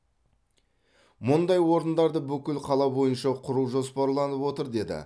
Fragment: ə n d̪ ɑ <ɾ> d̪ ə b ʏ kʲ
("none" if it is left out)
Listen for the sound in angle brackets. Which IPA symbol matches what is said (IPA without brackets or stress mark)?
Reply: ɾ